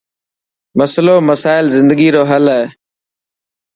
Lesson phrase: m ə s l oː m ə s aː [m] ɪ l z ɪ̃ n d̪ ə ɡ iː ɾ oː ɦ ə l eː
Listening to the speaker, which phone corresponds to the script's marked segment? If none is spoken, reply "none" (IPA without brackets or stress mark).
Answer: none